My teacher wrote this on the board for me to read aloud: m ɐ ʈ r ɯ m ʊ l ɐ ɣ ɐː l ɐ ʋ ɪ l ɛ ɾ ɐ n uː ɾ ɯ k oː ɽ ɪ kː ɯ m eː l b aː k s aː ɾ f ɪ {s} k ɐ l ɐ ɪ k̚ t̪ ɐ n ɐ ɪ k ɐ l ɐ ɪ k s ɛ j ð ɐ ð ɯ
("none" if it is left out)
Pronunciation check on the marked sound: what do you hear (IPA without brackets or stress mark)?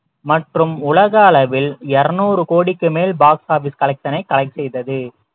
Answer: s